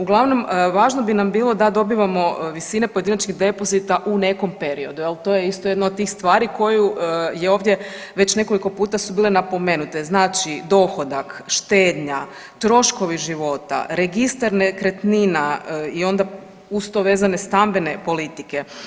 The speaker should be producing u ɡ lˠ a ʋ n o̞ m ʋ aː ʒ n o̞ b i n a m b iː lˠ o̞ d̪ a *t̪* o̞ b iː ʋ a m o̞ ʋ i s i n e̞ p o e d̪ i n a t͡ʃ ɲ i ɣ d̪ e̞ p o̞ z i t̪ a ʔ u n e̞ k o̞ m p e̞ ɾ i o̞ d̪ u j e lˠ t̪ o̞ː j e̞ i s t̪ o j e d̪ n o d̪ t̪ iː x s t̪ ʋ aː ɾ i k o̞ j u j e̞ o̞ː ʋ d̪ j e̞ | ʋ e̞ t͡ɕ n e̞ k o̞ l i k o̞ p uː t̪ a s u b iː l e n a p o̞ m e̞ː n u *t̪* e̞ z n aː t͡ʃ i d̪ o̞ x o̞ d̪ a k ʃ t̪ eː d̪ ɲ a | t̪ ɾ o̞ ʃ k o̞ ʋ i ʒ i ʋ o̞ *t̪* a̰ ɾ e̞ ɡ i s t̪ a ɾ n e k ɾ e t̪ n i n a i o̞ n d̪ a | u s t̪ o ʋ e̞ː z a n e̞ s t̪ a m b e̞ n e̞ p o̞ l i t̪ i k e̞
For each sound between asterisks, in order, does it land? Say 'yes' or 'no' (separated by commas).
no, yes, yes